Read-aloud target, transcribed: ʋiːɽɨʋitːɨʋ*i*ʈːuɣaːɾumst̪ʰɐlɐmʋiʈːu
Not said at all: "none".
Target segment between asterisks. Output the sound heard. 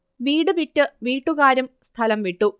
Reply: iː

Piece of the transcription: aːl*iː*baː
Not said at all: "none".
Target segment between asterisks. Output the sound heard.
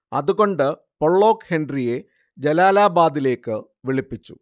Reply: aː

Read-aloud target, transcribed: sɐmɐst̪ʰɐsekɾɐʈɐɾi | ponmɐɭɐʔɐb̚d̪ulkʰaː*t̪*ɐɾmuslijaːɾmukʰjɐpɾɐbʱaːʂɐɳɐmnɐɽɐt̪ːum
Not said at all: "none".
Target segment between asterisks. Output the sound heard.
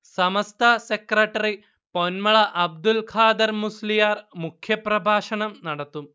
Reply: d̪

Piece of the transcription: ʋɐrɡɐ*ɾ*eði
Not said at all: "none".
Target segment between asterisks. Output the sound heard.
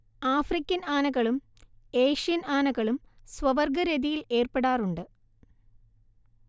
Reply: ɾ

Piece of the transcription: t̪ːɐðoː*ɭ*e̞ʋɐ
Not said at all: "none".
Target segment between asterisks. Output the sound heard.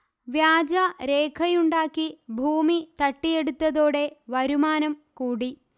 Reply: ɽ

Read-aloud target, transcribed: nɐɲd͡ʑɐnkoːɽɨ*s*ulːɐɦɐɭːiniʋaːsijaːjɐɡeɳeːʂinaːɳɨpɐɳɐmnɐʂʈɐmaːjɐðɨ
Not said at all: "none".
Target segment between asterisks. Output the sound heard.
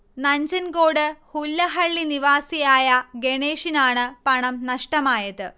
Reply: h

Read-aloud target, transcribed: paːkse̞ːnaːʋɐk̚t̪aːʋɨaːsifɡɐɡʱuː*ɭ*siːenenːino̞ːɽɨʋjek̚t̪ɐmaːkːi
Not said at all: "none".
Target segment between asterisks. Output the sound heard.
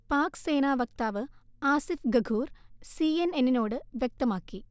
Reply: r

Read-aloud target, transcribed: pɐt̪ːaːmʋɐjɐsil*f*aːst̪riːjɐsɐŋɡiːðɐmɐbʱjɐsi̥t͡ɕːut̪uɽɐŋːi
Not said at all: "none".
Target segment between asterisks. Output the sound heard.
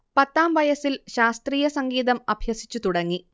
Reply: ɕ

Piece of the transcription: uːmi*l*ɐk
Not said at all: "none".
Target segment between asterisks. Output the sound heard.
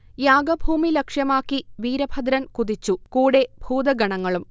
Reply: l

